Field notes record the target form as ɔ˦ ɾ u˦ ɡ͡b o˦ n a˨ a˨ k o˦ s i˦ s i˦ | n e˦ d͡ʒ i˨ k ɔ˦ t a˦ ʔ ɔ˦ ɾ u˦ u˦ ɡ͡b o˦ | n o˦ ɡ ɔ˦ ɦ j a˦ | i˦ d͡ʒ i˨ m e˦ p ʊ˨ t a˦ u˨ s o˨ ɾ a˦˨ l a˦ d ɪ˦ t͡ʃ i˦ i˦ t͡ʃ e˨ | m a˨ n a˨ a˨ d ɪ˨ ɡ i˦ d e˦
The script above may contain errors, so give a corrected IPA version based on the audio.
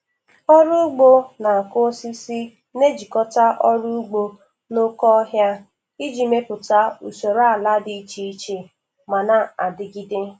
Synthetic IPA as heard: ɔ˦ ɾ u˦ ɡ͡b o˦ n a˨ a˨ k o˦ s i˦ s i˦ | n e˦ d͡ʒ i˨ k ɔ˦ t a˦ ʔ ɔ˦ ɾ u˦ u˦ ɡ͡b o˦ | n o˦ k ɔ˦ ɦ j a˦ | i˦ d͡ʒ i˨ m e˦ p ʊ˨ t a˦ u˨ s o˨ ɾ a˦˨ l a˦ d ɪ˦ t͡ʃ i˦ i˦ t͡ʃ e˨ | m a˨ n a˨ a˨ d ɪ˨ ɡ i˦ d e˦

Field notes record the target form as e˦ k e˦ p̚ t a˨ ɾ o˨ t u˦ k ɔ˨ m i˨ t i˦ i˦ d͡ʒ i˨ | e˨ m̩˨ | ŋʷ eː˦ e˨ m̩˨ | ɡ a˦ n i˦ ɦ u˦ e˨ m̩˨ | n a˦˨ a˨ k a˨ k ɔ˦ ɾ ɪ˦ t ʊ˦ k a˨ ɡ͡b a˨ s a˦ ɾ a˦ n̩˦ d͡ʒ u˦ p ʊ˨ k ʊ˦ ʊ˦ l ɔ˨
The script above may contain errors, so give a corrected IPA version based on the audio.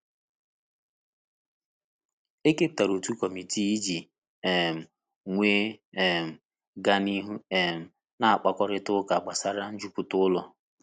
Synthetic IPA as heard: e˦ k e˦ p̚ t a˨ ɾ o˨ t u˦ k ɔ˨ m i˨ t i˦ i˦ d͡ʒ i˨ | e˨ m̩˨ | ŋʷ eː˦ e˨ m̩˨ | ɡ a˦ n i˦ ɦ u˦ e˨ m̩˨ | n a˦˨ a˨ k͡p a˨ k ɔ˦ ɾ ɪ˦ t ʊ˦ k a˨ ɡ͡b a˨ s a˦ ɾ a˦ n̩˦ d͡ʒ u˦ p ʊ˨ t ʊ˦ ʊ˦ l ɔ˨

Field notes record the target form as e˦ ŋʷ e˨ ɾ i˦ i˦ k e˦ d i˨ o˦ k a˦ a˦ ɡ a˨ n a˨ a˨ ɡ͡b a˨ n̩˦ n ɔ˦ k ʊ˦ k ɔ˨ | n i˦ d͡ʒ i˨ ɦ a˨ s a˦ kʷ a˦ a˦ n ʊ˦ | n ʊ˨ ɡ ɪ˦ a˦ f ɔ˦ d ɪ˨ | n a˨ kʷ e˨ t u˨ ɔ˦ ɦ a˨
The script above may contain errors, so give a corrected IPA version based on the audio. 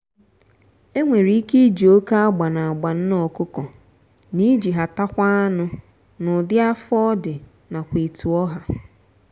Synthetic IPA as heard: e˦ ŋʷ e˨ ɾ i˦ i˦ k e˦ d͡ʒ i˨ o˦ k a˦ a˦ ɡ͡b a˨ n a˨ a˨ ɡ͡b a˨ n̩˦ n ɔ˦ k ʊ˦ k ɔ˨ | n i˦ d͡ʒ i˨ ɦ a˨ t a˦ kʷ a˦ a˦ n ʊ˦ | n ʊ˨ d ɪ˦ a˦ f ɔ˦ d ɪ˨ | n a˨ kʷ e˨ t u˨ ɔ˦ ɦ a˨

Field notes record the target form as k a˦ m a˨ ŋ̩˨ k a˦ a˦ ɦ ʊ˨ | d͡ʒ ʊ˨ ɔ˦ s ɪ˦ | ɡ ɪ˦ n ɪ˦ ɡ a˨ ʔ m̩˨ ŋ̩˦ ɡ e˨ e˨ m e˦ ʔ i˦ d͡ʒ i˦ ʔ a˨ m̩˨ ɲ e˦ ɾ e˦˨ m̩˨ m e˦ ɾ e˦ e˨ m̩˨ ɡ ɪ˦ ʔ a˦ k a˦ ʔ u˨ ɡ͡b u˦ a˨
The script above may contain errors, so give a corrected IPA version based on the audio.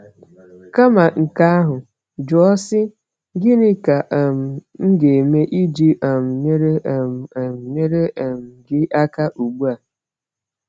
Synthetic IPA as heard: k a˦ m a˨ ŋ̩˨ k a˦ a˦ ɦ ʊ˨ | d͡ʒ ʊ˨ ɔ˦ s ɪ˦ | ɡ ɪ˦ n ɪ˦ k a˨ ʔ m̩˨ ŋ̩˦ ɡ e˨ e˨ m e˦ ʔ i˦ d͡ʒ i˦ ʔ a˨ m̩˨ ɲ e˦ ɾ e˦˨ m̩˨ ɲ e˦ ɾ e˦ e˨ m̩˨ ɡ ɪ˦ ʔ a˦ k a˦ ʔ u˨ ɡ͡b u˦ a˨

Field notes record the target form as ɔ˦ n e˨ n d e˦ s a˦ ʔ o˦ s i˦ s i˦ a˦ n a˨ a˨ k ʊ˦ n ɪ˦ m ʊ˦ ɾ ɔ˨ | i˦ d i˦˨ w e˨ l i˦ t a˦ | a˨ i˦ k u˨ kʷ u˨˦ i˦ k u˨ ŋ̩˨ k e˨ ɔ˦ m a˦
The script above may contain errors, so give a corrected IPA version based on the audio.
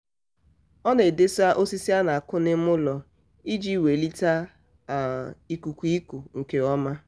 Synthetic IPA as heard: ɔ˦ n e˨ d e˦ s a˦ ʔ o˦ s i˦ s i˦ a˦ n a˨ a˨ k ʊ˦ n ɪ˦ m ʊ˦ l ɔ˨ | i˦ d͡ʒ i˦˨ w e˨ l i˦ t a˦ | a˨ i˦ k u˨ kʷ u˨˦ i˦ k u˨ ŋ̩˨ k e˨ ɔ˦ m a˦

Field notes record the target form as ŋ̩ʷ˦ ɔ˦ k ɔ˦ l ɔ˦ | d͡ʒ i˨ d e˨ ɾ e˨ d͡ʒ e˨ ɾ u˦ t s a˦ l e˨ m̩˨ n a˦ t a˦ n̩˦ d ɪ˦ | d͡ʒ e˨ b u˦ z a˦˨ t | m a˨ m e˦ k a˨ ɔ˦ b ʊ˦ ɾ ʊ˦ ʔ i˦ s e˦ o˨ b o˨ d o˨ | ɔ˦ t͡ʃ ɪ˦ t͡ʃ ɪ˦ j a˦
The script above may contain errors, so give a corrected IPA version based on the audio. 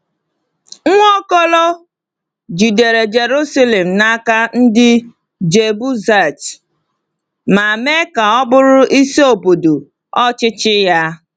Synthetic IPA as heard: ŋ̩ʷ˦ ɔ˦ k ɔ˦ l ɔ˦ | d͡ʒ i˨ d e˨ ɾ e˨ d͡ʒ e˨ ɾ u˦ s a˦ l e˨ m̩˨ n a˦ k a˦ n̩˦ d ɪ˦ | d͡ʒ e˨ b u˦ z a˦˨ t | m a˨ m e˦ k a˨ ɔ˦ b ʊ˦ ɾ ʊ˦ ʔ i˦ s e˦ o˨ b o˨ d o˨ | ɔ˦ t͡ʃ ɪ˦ t͡ʃ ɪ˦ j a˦

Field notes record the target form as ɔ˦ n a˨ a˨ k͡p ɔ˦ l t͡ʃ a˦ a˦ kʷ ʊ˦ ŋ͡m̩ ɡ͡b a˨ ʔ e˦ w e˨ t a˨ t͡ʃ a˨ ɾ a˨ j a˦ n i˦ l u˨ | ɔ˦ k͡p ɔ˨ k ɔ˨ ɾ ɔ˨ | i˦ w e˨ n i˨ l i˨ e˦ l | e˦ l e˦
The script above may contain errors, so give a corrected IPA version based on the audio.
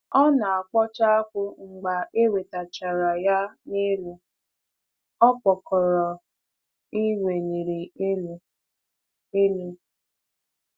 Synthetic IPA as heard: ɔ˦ n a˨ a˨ k͡p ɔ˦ t͡ʃ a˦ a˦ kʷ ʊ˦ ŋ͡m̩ ɡ͡b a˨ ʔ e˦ w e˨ t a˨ t͡ʃ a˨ ɾ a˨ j a˦ n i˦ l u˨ | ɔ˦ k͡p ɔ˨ k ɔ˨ ɾ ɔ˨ | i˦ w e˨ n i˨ ɾ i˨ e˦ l | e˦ l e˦

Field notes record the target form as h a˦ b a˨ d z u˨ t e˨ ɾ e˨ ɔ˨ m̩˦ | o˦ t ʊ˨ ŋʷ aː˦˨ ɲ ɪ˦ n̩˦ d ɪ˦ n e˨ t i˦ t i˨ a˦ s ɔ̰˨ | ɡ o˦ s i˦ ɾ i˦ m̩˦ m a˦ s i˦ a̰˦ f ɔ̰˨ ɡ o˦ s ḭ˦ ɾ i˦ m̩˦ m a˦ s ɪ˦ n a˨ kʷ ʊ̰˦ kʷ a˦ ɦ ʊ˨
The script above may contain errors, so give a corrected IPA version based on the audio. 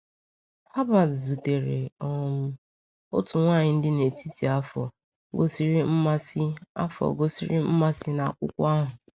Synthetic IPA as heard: h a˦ b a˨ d z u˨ t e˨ ɾ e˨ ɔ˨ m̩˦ | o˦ t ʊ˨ ŋʷ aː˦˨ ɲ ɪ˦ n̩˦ d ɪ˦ n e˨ t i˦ t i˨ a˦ f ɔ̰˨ | ɡ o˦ s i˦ ɾ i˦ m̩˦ m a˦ s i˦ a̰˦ f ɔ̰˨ ɡ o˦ s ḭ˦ ɾ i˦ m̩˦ m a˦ s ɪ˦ n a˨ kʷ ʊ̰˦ kʷ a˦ ɦ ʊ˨

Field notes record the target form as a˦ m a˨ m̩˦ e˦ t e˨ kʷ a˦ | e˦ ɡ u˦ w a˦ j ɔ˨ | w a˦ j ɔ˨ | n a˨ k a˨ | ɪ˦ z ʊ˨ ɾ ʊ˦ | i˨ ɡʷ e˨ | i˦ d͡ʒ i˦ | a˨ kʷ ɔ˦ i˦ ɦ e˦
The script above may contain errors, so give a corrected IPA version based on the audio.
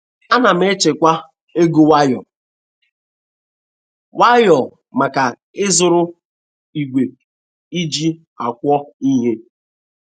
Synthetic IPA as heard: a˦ n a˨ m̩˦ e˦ t͡ʃ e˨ kʷ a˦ | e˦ ɡ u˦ w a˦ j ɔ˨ | w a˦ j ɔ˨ | m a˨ k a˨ | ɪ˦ z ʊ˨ ɾ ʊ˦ | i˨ ɡʷ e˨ | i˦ d͡ʒ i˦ | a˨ kʷ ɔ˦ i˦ ɦ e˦

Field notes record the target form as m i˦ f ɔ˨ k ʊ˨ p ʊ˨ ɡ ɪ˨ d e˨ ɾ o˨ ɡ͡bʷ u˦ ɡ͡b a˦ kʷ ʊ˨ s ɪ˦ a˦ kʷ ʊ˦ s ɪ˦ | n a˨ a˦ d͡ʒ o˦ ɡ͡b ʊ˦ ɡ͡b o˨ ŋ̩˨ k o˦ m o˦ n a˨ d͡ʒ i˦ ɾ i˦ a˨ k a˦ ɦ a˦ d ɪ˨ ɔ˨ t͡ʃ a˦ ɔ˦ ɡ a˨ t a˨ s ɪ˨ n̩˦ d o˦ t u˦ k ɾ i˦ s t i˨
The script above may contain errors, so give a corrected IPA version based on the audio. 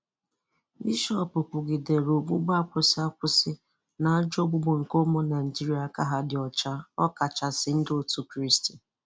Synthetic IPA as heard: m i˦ ʃ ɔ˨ p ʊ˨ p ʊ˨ ɡ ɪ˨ d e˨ ɾ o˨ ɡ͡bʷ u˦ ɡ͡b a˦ kʷ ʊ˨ s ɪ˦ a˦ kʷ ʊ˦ s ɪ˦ | n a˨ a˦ d͡ʒ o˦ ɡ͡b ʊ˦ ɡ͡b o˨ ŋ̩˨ k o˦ m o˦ n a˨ d͡ʒ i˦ ɾ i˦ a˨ k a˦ ɦ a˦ d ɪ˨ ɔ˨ t͡ʃ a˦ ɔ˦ k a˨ t͡ʃ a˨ s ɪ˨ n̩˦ d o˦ t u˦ k ɾ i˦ s t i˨

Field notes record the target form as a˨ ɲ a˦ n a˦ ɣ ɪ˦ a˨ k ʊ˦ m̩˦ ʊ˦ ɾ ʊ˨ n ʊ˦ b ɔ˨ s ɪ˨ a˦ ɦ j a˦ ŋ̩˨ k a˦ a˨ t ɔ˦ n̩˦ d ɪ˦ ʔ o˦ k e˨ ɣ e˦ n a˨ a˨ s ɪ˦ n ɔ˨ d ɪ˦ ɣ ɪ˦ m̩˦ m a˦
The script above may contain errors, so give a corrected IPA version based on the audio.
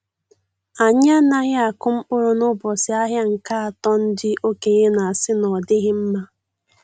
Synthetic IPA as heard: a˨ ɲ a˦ n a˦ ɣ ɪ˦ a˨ k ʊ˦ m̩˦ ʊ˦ ɾ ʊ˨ n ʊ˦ b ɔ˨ s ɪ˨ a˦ ɦ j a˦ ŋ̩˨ k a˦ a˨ t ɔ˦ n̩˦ d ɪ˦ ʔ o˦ k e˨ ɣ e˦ n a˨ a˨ s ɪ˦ n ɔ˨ d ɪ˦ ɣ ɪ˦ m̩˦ m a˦

